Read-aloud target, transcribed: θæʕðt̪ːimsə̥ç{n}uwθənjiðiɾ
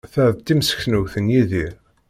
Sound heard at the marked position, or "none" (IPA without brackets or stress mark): n